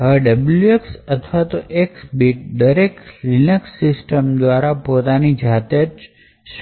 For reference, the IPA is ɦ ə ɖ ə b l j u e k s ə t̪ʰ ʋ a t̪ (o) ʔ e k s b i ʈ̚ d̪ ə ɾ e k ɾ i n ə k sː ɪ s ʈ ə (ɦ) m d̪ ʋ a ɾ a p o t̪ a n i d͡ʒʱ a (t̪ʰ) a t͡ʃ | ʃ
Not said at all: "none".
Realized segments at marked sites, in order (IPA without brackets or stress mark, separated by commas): o, none, t̪